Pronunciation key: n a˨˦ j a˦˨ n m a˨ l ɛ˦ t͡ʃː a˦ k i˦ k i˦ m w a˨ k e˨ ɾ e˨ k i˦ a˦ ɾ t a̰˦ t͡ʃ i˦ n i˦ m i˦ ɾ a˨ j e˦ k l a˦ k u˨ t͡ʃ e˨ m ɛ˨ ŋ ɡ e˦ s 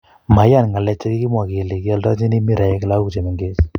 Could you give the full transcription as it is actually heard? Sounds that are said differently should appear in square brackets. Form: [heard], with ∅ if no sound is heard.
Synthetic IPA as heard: [m] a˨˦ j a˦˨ n [ŋ] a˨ l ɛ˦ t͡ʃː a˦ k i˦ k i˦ m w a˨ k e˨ [l] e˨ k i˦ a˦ [l] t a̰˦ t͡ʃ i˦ n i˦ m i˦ ɾ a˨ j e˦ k l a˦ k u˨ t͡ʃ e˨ m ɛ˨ ŋ ɡ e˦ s